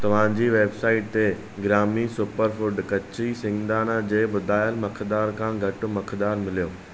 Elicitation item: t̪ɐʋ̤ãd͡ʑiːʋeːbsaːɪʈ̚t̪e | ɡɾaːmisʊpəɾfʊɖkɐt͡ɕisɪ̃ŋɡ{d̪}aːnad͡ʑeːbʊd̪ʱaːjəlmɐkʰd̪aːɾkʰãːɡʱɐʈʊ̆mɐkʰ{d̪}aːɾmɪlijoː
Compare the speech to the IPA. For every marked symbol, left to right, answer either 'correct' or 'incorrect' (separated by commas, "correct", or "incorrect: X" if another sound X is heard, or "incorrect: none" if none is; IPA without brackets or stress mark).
correct, correct